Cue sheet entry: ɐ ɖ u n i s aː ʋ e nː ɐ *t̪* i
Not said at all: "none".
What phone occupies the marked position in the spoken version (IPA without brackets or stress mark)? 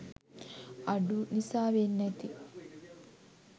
t̪